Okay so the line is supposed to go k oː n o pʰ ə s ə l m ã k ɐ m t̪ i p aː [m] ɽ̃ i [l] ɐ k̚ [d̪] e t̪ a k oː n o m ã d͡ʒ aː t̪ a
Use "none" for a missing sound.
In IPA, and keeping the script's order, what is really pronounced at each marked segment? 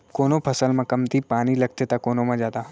none, l, t̪

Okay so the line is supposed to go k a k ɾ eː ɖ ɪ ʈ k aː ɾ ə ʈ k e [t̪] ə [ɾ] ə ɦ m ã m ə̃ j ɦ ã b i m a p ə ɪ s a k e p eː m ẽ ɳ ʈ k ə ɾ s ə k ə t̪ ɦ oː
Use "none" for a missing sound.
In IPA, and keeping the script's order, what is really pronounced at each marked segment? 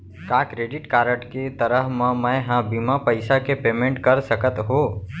t̪, ɾ

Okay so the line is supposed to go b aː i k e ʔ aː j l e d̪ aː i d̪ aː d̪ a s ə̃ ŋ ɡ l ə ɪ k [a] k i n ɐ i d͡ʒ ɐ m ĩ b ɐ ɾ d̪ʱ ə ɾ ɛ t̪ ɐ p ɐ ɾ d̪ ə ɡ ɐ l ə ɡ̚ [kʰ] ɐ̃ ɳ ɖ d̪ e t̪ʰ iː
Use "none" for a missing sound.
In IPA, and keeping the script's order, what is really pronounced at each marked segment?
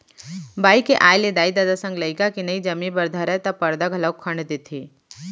a, kʰ

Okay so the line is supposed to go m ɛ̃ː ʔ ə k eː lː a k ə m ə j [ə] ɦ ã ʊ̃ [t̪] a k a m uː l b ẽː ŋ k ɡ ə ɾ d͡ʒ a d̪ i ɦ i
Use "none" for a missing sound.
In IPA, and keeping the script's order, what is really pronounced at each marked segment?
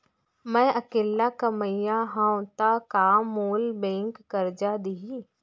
a, t̪

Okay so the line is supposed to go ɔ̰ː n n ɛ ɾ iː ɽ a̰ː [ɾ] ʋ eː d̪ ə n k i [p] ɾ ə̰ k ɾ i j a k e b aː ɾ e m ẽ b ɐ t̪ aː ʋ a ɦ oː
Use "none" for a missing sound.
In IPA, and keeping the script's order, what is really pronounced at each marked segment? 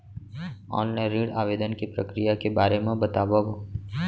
none, p

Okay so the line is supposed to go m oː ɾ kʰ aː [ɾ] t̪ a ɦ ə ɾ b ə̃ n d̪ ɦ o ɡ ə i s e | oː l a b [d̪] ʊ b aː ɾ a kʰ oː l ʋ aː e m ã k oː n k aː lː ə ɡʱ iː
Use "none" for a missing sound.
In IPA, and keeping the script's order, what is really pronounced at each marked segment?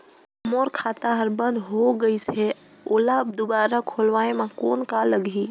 none, d̪

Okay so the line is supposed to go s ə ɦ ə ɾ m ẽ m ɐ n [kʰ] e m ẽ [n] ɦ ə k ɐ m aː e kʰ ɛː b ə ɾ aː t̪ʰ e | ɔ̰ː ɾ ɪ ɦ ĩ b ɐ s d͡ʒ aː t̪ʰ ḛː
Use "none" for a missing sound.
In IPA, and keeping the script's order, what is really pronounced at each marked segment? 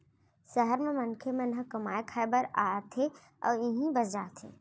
kʰ, n

